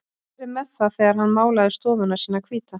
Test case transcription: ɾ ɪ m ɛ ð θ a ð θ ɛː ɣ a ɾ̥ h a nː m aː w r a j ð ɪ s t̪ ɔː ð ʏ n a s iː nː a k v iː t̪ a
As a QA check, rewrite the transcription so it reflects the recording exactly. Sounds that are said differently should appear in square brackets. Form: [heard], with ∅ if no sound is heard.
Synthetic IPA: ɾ ɪ m ɛ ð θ a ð θ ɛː ɣ a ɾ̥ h a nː m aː w [l] a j ð ɪ s t̪ ɔː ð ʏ n a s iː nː a [kʰ] v iː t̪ a